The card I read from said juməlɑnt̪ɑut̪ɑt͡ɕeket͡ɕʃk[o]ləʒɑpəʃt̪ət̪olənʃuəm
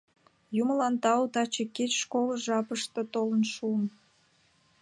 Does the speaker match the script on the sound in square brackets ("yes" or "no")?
yes